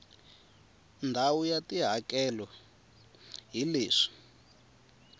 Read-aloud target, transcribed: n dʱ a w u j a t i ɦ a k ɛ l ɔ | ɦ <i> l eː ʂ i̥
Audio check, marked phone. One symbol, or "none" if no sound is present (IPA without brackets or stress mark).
i